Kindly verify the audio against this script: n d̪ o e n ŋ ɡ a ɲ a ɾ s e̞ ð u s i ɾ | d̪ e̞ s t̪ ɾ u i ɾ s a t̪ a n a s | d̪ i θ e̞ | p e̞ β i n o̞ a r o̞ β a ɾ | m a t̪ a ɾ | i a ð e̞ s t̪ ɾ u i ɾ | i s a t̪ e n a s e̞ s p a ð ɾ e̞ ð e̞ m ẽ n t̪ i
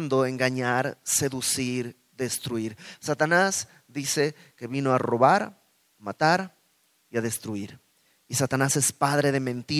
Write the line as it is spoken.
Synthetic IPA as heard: n d̪ o e ŋ ɡ a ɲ a ɾ s e̞ ð u s i ɾ | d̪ e̞ s t̪ ɾ u i ɾ s a t̪ a n a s | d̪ i s e̞ | k e̞ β i n o̞ a r o̞ β a ɾ | m a t̪ a ɾ | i a ð e̞ s t̪ ɾ u i ɾ | i s a t̪ a n a s e̞ s p a ð ɾ e̞ ð e̞ m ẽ n t̪ i